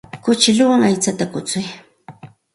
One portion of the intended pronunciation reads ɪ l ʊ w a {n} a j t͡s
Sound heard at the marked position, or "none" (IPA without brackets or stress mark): ŋ